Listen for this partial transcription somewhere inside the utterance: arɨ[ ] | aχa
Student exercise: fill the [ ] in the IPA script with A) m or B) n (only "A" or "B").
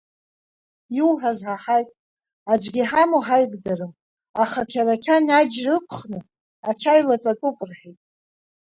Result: A